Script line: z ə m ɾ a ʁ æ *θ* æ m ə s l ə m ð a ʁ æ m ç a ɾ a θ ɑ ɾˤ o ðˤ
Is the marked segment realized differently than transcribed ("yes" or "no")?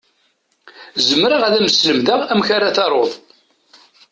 yes